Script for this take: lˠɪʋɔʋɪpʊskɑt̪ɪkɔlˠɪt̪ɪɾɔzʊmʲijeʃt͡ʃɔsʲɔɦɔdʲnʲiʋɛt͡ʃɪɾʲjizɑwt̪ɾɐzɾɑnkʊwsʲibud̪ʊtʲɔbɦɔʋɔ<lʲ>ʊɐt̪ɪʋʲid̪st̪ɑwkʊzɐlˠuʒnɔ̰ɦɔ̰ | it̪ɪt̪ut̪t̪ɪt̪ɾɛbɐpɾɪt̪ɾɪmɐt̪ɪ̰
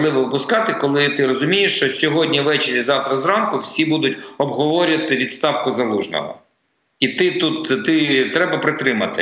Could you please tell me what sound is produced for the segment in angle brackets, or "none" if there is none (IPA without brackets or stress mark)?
ɾʲ